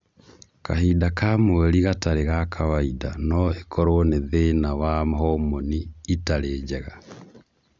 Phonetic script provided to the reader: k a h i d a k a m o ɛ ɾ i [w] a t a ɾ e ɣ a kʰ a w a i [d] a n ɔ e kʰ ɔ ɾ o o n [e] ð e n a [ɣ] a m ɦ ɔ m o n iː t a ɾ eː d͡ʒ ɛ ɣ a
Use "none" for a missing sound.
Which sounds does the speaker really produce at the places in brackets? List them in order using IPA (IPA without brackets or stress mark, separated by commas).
ɣ, d, e, w